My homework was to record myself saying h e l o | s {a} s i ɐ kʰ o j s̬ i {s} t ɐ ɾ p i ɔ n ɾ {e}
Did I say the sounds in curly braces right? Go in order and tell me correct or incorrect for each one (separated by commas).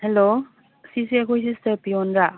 incorrect, correct, incorrect